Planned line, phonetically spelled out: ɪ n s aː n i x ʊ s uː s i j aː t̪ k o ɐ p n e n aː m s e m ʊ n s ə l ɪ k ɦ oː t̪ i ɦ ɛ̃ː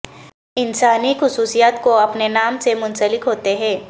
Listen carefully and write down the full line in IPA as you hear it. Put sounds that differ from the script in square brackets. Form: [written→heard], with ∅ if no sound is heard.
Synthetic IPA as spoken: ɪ n s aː n i x ʊ s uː s i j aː t̪ k o ɐ p n e n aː m s e m ʊ n s ə l ɪ k ɦ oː t̪ [i→e] ɦ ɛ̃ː